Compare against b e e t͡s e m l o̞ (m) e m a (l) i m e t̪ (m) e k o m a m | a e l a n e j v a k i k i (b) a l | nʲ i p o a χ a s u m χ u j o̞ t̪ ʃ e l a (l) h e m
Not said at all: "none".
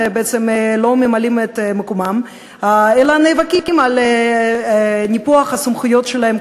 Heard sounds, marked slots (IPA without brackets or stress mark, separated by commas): m, l, m, m, none